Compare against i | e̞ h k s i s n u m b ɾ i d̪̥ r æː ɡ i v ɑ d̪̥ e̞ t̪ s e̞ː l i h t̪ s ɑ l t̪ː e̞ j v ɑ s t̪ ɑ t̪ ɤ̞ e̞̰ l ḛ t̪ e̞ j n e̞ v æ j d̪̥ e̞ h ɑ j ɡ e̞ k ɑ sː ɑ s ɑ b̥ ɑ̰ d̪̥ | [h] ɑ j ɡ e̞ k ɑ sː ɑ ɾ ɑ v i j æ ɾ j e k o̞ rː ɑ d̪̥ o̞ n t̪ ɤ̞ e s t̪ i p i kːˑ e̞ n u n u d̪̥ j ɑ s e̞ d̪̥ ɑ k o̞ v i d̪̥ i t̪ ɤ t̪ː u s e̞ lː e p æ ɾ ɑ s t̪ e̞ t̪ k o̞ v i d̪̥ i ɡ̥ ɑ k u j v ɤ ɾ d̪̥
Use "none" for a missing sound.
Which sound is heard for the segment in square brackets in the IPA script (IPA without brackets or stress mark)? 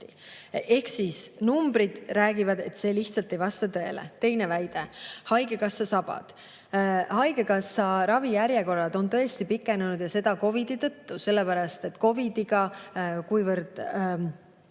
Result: h